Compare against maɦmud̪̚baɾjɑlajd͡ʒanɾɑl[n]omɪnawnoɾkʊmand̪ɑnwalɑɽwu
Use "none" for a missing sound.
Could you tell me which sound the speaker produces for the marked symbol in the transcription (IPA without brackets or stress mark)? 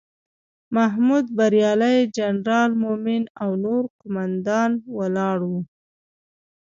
m